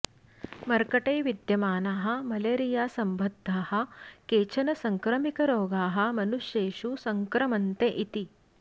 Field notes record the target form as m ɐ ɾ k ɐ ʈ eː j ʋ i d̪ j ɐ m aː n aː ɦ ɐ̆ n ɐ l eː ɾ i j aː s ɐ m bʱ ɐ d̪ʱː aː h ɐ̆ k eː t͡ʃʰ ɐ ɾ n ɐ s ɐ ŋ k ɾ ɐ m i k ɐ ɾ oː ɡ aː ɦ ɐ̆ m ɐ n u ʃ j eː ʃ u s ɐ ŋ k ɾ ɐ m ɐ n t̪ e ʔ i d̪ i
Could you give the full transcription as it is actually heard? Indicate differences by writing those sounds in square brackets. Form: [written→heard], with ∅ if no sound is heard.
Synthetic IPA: m ɐ ɾ k ɐ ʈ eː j ʋ i d̪ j ɐ m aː n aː ɦ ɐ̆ [n→m] ɐ l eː ɾ i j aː s ɐ m bʱ ɐ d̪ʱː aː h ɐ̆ k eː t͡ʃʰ ɐ [ɾ→∅] n ɐ s ɐ ŋ k ɾ ɐ m i k ɐ ɾ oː ɡ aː ɦ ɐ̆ m ɐ n u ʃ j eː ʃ u s ɐ ŋ k ɾ ɐ m ɐ n t̪ e ʔ i [d̪→t̪] i